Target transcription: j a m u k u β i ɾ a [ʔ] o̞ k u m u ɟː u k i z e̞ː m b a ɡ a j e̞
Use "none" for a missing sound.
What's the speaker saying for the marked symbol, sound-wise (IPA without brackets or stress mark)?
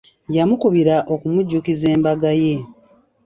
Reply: ʔ